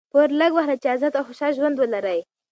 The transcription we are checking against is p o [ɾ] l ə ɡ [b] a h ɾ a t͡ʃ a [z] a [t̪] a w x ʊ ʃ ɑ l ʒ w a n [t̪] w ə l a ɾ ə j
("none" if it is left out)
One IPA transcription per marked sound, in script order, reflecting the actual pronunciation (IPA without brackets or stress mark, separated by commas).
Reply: ɾ, w, z, t̪, d̪